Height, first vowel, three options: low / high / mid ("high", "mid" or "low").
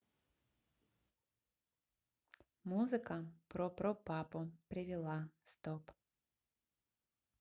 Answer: high